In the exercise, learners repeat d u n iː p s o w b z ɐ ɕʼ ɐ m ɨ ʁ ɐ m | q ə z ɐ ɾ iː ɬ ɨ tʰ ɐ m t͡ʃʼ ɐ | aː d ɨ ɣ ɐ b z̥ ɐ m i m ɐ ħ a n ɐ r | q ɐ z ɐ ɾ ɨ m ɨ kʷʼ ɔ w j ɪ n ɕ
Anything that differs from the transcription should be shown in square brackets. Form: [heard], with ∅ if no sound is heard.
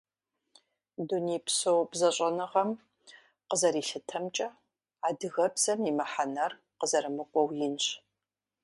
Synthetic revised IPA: d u n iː p s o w b z ɐ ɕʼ ɐ [n] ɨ ʁ ɐ m | q ə z ɐ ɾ iː ɬ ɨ tʰ ɐ m t͡ʃʼ ɐ | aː d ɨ ɣ ɐ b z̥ ɐ m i m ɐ ħ a n ɐ r | q [ə] z ɐ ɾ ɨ m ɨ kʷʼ ɔ w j ɪ n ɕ